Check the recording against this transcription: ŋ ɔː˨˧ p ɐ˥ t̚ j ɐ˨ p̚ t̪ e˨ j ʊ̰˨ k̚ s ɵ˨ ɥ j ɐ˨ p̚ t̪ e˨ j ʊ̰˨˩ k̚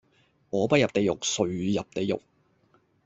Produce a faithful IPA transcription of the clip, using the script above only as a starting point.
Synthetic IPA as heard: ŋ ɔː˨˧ p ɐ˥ t̚ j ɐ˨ p̚ t̪ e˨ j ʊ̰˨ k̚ s ɵ˨ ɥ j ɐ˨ p̚ t̪ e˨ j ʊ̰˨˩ k̚